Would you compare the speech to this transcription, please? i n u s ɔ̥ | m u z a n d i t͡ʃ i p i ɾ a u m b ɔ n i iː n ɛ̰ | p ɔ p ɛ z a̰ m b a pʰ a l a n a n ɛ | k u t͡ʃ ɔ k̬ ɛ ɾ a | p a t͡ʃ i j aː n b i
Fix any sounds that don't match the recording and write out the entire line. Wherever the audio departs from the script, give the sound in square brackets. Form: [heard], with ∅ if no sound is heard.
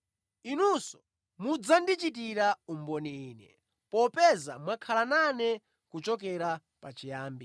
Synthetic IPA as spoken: i n u s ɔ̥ | m u [d͡z] a n d i t͡ʃ i [t] i ɾ a u m b ɔ n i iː n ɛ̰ | p ɔ p ɛ z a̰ m [w] a [kʰ] a l a n a n ɛ | k u t͡ʃ ɔ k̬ ɛ ɾ a | p a t͡ʃ i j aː [m] b i

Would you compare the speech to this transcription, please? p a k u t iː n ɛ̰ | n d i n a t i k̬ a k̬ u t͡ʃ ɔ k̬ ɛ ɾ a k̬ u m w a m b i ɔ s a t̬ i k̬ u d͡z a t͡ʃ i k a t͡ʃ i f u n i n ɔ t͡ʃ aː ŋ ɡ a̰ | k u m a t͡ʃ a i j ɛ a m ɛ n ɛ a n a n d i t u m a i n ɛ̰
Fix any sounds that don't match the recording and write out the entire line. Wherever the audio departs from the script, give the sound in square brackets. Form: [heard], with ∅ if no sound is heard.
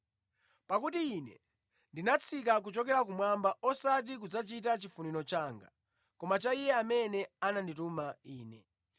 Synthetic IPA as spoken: p a k u t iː n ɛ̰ | n d i n a [t͡sʰ] i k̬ a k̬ u t͡ʃ ɔ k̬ ɛ ɾ a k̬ u m w a m b [a] ɔ s a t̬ i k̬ u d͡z a t͡ʃ i [t] a t͡ʃ i f u n i n ɔ t͡ʃ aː ŋ ɡ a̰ | k [ɔ] m a t͡ʃ a i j ɛ a m ɛ n ɛ a n a n d i t u m a [iː] n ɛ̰

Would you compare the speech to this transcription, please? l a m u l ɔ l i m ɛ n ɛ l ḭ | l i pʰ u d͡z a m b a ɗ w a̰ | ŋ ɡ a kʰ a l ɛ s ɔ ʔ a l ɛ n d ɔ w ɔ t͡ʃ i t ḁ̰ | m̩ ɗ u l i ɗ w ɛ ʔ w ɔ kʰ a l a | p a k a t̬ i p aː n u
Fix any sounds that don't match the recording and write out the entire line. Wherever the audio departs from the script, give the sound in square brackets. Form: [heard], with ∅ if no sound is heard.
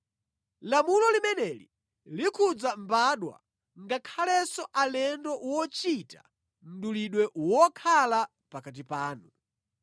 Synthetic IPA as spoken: l a m u l ɔ l i m ɛ n ɛ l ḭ | l i [kʰ] u d͡z a m b a ɗ w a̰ | ŋ ɡ a kʰ a l ɛ s ɔ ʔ a l ɛ n d ɔ w ɔ t͡ʃ i t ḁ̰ | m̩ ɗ u l i ɗ w ɛ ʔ w ɔ kʰ a l a | p a k a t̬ i p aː n u

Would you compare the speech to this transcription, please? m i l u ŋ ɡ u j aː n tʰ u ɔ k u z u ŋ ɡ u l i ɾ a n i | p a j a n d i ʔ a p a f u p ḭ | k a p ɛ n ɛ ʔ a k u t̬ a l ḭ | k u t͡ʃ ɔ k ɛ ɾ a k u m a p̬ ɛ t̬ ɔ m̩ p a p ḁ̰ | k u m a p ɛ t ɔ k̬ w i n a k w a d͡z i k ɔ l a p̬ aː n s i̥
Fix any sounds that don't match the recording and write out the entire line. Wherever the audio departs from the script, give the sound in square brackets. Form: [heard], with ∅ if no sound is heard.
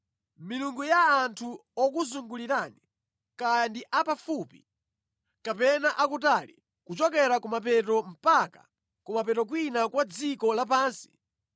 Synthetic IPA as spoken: m i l u ŋ ɡ u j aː n tʰ u ɔ k u z u ŋ ɡ u l i ɾ a n i | [k] a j a n d i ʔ a p a f u p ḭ | k a p ɛ n [a] ʔ a k u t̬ a l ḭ | k u t͡ʃ ɔ k ɛ ɾ a k u m a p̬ ɛ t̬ ɔ m̩ p a [k] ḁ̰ | k u m a p ɛ t ɔ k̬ w i n a k w a d͡z i k ɔ l a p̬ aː n s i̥

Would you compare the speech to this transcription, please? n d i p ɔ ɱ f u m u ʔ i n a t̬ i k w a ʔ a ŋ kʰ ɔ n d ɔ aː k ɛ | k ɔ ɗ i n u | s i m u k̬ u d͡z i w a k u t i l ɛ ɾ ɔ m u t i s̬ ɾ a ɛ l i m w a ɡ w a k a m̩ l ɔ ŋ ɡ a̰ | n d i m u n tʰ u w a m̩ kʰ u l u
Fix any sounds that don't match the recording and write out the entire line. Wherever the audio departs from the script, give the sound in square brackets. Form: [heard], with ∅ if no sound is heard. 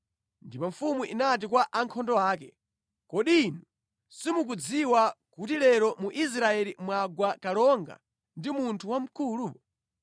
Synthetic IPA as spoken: n d i p ɔ ɱ f u m u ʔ i n a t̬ i k w a ʔ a ŋ kʰ ɔ n d ɔ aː k ɛ | k ɔ ɗ i n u | s i m u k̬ u d͡z i w a k u t i l ɛ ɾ ɔ m u [ʔ] i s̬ ɾ a ɛ l i m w a ɡ w a k a [∅] l ɔ ŋ ɡ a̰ | n d i m u n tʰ u w a m̩ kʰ u l u

